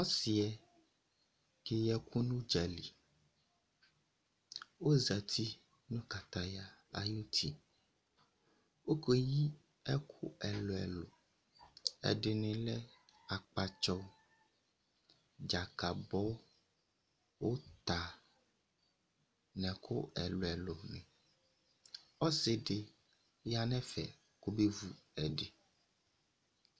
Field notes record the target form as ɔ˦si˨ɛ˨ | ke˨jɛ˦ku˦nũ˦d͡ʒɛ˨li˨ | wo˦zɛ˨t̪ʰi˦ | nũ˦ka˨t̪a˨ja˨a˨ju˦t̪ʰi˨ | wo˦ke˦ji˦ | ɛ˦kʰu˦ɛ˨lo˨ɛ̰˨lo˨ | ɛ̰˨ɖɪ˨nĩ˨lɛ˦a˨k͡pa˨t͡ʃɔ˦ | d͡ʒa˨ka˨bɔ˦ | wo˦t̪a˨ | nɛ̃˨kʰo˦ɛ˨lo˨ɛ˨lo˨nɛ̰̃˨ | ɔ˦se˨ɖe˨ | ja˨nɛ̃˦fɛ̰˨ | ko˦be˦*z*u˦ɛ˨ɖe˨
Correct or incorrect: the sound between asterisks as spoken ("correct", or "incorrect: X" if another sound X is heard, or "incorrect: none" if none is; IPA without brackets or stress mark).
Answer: incorrect: v